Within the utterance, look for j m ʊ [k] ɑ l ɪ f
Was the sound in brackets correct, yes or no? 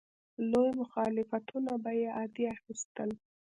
no